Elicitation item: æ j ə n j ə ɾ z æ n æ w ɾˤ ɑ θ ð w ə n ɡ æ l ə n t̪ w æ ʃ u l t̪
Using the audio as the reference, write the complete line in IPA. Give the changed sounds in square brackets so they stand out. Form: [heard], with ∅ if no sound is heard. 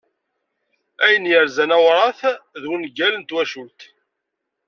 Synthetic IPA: æ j ə n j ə ɾ z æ n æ w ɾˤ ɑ θ ð w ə n ɡ æ l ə n t̪ w æ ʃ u l t̪